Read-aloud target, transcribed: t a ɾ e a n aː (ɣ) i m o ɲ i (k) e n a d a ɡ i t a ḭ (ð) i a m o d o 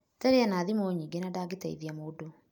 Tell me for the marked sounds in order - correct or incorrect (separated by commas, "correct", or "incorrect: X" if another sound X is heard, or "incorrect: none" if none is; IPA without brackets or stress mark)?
incorrect: ð, incorrect: ɡ, correct